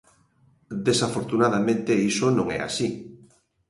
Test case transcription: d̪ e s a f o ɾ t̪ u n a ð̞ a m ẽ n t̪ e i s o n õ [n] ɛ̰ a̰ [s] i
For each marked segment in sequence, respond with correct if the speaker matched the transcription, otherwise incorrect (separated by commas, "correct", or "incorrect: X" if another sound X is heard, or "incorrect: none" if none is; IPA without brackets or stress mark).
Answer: incorrect: ŋ, correct